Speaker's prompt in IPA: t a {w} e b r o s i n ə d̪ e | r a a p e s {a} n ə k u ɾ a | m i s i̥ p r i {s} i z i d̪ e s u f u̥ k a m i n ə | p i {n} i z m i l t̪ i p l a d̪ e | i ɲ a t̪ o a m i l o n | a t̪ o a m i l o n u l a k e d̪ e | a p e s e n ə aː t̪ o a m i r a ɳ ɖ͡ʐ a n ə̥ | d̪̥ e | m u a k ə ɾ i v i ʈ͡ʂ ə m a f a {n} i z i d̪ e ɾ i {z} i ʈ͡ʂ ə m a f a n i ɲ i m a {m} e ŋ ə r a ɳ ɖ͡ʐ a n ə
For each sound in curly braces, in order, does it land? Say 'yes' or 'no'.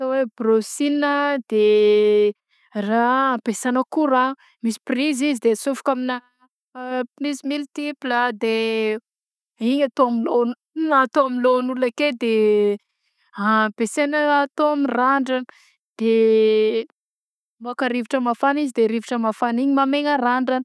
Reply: yes, yes, no, yes, yes, no, yes

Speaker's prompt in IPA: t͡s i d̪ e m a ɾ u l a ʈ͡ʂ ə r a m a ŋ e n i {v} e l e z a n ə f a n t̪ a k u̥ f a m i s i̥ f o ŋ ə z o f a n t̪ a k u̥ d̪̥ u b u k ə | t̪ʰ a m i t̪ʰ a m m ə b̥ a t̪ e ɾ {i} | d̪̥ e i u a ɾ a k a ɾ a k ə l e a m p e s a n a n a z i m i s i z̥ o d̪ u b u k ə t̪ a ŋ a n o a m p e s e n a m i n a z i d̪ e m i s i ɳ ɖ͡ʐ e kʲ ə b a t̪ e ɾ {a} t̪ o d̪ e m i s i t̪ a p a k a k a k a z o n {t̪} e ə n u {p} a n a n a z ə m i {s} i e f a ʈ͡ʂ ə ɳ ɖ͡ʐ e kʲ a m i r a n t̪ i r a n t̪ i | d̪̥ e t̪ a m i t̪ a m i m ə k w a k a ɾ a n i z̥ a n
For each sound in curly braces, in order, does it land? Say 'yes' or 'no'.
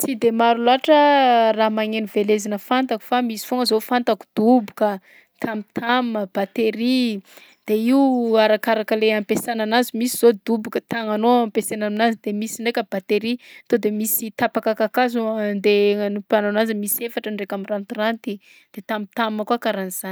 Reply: yes, yes, no, no, yes, yes

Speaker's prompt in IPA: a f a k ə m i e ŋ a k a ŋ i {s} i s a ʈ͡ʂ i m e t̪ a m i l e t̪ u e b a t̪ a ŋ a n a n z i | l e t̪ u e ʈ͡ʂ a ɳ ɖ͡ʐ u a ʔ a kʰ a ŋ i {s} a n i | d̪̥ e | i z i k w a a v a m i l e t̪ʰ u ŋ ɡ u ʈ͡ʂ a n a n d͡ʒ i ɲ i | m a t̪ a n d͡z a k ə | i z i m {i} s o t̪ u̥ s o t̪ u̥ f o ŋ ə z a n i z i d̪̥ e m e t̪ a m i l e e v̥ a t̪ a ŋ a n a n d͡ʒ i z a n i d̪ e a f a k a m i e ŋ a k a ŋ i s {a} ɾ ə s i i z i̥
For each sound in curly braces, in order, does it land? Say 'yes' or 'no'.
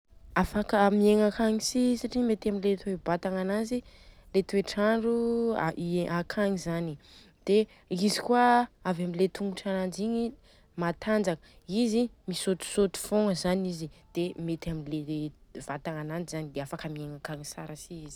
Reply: yes, no, yes, yes

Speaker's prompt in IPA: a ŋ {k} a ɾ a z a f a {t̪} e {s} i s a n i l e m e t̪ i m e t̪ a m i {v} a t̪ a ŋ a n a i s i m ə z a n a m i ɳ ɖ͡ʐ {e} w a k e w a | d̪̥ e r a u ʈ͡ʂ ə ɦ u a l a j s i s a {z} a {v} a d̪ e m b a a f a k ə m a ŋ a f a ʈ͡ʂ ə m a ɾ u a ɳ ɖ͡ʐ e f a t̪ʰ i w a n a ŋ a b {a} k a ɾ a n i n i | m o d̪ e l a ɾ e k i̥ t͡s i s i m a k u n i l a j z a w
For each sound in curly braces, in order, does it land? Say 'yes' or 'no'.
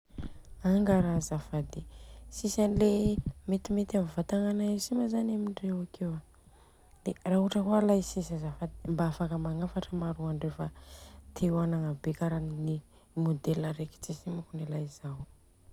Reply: no, no, yes, yes, yes, yes, no, no

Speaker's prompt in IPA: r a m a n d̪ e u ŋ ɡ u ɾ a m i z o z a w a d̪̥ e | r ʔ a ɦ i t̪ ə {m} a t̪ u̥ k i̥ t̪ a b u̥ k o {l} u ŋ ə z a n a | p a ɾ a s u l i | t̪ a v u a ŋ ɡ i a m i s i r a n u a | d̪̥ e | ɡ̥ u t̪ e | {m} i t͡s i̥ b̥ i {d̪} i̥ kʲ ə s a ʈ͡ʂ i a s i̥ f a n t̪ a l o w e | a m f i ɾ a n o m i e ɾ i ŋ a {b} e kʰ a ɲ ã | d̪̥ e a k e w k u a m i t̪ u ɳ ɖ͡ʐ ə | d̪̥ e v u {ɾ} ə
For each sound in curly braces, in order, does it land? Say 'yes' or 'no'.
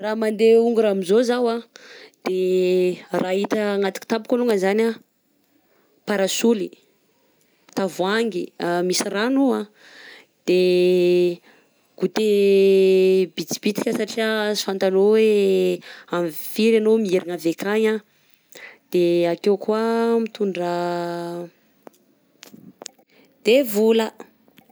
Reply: no, yes, no, no, no, no

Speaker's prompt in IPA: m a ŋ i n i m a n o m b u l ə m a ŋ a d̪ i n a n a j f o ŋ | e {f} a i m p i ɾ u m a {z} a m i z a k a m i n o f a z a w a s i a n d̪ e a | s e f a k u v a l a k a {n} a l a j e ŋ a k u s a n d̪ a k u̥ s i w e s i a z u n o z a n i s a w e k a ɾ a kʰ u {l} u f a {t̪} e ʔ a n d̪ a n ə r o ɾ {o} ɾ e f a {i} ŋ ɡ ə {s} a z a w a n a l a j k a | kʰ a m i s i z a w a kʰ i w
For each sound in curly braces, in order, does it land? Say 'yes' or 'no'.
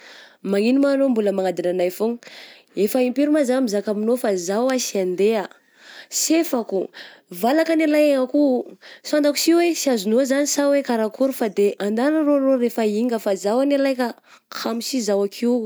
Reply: yes, yes, yes, no, no, yes, yes, no

